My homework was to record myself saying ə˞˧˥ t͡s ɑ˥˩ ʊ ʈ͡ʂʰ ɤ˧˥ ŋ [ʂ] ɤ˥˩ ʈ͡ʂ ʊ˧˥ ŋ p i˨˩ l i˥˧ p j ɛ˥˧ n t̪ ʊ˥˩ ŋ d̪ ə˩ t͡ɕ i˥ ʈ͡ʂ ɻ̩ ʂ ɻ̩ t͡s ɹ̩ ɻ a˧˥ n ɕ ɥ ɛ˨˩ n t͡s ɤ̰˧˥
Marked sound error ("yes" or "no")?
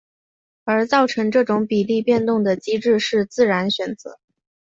yes